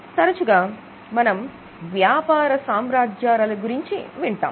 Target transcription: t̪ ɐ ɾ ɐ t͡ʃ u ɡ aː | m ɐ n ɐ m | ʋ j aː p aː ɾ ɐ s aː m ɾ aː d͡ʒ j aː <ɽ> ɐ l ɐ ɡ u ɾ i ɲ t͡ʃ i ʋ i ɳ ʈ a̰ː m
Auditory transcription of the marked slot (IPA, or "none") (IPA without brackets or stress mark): ɾ